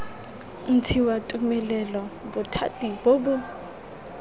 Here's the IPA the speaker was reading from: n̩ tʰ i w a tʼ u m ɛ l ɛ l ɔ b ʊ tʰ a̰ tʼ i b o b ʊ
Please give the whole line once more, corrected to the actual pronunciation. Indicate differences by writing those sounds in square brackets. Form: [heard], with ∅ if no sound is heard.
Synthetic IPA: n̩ tʰ i w a tʼ u m ɛ l ɛ l ɔ b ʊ tʰ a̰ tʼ i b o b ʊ